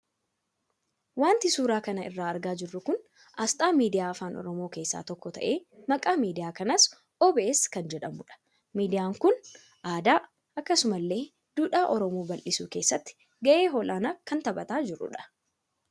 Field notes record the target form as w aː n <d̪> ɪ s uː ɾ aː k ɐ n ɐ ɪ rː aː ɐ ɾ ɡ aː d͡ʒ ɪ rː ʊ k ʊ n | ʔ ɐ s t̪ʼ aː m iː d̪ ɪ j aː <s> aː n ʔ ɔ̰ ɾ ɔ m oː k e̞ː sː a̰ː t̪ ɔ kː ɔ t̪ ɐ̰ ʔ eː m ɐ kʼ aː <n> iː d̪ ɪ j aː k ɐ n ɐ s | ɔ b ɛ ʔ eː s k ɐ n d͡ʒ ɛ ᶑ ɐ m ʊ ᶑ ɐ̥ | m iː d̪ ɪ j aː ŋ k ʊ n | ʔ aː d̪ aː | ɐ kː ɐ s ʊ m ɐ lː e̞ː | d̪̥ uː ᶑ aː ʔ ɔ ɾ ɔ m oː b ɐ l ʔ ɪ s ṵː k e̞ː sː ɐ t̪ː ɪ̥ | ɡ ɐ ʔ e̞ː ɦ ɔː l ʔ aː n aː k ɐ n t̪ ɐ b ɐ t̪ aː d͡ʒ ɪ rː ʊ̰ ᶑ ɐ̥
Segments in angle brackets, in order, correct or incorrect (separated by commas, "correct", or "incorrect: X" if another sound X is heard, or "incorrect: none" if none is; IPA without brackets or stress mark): incorrect: t̪, incorrect: f, incorrect: m